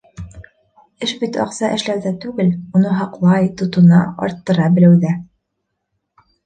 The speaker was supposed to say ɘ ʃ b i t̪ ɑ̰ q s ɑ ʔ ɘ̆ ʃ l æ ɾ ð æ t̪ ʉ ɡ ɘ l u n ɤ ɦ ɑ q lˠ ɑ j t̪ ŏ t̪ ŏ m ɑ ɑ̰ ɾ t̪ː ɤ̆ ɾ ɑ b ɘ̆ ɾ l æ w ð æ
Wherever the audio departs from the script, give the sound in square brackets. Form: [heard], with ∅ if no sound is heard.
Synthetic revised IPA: ɘ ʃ b i t̪ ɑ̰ q s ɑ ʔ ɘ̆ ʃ l æ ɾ ð æ t̪ ʉ ɡ ɘ l u n ɤ ɦ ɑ q lˠ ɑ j t̪ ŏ t̪ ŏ [n] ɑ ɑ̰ ɾ t̪ː ɤ̆ ɾ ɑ b ɘ̆ [∅] l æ w ð æ